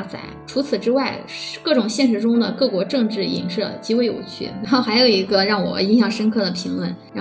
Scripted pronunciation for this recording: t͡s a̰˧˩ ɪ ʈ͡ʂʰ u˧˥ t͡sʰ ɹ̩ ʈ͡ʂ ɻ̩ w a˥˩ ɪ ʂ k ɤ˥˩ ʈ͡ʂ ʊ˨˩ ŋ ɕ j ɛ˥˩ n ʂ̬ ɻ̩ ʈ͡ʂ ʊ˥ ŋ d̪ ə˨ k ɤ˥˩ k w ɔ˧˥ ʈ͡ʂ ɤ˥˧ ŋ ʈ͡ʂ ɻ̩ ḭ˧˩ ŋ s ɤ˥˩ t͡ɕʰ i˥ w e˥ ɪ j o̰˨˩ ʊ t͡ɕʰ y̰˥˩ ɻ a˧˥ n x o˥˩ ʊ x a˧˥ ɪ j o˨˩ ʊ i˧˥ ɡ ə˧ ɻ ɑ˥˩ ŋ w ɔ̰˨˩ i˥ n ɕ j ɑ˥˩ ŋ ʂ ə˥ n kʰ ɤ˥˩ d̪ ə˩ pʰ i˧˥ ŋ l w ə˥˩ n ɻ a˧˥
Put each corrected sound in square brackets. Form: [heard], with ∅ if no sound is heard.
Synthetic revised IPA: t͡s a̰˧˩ ɪ ʈ͡ʂʰ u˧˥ t͡sʰ ɹ̩ ʈ͡ʂ ɻ̩ w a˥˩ ɪ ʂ k ɤ˥˩ ʈ͡ʂ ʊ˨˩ ŋ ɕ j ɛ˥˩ n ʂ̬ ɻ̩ ʈ͡ʂ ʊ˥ ŋ d̪ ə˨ k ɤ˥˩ k w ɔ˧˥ ʈ͡ʂ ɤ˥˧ ŋ ʈ͡ʂ ɻ̩ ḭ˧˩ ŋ [ʂ] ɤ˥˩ [t͡ɕ] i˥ w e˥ ɪ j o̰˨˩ ʊ t͡ɕʰ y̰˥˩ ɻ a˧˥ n x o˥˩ ʊ x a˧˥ ɪ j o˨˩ ʊ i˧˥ ɡ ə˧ ɻ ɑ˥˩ ŋ w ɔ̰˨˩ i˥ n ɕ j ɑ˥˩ ŋ ʂ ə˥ n kʰ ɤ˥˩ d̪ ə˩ pʰ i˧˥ ŋ l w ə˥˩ n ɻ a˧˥